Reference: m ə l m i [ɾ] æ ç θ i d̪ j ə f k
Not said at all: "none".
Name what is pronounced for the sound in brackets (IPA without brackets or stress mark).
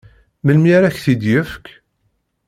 ɾ